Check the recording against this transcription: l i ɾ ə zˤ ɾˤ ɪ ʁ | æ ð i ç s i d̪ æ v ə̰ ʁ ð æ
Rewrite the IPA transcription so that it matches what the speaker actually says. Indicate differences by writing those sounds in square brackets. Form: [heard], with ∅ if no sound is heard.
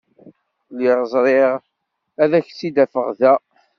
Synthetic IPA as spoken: l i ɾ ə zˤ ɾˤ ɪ ʁ | æ ð [æ] ç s i d̪ æ [f] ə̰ ʁ ð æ

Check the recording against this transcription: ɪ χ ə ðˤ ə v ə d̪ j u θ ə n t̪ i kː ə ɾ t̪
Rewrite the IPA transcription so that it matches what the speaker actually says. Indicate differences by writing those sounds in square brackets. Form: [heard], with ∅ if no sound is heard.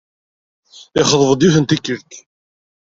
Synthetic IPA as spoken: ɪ χ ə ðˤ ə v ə d̪ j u θ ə n t̪ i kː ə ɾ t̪

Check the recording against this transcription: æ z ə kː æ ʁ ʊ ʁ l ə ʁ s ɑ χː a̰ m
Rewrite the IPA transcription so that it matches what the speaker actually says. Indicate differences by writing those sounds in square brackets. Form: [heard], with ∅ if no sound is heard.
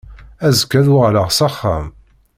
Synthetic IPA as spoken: æ z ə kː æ [ð] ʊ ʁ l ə ʁ s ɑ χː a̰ m

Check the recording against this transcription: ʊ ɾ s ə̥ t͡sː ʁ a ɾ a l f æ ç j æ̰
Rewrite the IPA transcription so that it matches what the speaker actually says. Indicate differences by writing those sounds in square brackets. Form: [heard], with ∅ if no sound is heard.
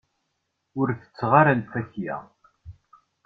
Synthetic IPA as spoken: ʊ ɾ [θ] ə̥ t͡sː ʁ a ɾ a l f æ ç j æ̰

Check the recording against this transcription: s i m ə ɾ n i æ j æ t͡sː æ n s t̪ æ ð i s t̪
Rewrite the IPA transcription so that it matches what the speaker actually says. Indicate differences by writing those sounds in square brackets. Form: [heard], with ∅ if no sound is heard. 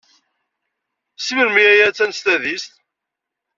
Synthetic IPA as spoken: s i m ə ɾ [m] i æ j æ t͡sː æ n s t̪ æ ð i s t̪

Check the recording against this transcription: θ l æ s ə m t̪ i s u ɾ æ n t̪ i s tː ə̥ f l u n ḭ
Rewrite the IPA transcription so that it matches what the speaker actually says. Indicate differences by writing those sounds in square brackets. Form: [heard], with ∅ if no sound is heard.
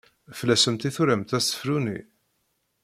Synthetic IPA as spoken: [f] l æ s ə m t̪ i [θ] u ɾ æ [m] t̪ [æ] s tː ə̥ f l u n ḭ

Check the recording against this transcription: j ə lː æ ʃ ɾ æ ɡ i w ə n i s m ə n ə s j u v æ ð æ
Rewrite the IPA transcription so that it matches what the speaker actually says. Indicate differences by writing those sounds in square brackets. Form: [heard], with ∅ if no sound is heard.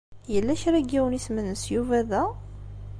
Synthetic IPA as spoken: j ə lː æ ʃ ɾ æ ɡ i w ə n i s m ə n ə s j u v æ ð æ

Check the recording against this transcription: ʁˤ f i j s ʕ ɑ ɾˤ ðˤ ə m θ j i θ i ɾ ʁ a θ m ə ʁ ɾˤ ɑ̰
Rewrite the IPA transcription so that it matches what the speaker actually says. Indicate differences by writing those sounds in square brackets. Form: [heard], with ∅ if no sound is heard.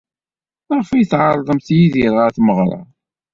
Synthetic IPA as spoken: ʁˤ f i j [θ] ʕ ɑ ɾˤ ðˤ ə m θ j i [ð] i ɾ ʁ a θ m ə ʁ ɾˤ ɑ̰

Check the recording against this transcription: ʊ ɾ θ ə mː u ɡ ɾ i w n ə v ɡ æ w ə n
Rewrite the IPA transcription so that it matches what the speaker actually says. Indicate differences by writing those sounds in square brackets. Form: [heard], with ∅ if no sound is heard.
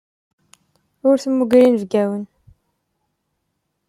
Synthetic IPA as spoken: ʊ ɾ θ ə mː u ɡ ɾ i [∅] n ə v ɡ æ w ə n

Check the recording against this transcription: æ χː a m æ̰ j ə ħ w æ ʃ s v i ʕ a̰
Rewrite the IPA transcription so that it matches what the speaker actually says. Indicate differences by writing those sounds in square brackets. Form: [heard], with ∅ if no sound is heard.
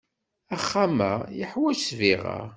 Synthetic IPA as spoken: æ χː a m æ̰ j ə ħ w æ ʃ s v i [ʁ] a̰

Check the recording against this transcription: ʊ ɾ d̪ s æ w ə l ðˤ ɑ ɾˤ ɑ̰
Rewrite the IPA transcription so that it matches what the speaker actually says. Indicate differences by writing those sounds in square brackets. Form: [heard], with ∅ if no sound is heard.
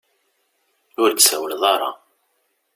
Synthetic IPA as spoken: ʊ ɾ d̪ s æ w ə l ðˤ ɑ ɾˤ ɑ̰

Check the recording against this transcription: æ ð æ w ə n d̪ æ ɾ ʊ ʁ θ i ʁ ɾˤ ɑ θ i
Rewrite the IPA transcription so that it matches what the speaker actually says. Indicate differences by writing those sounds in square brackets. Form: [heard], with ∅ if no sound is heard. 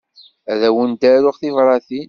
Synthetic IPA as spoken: æ ð æ w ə n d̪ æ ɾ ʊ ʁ θ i [v] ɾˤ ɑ θ i

